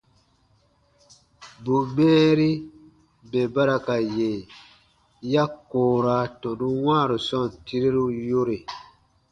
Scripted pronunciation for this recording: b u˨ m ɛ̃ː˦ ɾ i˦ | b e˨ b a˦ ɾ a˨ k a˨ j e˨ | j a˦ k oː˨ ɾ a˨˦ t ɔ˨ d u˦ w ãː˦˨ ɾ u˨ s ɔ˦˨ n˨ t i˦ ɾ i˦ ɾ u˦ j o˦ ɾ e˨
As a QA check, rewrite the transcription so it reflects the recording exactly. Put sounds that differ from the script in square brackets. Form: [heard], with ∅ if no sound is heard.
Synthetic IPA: b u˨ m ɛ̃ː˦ ɾ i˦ | b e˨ b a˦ ɾ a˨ k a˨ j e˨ | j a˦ k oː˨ ɾ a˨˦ t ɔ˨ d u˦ w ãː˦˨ ɾ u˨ s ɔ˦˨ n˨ t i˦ ɾ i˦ ɾ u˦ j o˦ ɾ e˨